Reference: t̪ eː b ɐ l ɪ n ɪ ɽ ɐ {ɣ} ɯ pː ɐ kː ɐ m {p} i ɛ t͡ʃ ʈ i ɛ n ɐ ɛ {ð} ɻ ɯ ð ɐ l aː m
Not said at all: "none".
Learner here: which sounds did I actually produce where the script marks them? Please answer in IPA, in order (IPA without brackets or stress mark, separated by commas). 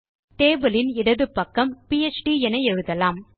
ð, p, none